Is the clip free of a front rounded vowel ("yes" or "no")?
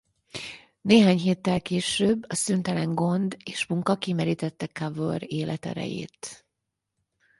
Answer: no